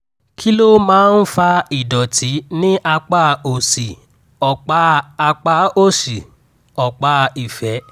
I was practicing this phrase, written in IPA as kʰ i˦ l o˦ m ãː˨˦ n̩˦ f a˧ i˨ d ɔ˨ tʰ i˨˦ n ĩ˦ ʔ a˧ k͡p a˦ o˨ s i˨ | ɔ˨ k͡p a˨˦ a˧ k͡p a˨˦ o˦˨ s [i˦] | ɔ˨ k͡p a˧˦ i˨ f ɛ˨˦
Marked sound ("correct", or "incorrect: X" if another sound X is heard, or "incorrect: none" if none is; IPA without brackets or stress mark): incorrect: i˨